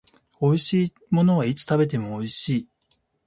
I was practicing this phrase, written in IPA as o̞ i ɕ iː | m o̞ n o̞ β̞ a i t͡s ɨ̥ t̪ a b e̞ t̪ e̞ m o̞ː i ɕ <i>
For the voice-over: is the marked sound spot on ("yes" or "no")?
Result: no